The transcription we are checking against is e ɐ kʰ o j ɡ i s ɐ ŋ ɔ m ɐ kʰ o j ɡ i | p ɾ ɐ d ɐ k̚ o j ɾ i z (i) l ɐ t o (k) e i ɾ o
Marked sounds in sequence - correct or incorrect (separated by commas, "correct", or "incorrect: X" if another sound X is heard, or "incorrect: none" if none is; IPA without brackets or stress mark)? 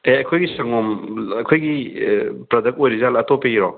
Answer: incorrect: a, incorrect: p